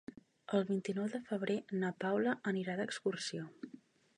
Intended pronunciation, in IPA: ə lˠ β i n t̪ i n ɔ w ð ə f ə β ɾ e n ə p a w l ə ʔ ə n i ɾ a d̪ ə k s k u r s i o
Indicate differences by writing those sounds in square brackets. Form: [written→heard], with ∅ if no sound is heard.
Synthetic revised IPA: ə lˠ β i n t̪ i n ɔ w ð ə f ə β ɾ e n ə p a w l ə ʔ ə n i ɾ a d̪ ə k s k u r s i o